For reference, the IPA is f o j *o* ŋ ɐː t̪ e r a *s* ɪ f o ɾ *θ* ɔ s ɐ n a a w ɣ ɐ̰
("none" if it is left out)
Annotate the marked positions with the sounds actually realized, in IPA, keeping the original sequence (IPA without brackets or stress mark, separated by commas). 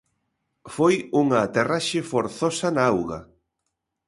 u, ʃ, θ